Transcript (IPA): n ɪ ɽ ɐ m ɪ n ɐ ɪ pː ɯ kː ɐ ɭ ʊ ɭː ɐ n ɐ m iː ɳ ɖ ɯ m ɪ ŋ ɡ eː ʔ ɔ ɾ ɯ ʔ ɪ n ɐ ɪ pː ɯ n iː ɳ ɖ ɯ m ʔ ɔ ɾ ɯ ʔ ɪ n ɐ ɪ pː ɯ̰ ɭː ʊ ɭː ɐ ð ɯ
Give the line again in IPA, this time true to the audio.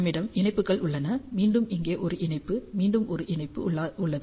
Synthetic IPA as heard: m ɪ ɽ ɐ m ɪ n ɐ ɪ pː ɯ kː ɐ ɭ ʊ ɭː ɐ n ɐ m iː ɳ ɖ ɯ m ɪ ŋ ɡ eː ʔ ɔ ɾ ɯ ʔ ɪ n ɐ ɪ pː ɯ m iː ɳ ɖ ɯ m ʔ ɔ ɾ ɯ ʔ ɪ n ɐ ɪ pː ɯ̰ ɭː ʊ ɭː ɐ ð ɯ